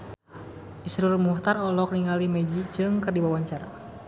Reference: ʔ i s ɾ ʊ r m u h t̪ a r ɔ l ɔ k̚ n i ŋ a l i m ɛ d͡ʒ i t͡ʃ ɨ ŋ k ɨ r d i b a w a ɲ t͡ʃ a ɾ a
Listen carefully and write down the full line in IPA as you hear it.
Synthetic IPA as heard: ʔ i s ɾ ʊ r m u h t̪ a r ɔ l ɔ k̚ n i ŋ a l i m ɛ d͡ʒ i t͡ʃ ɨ ŋ k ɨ r d i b a w a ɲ t͡ʃ a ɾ a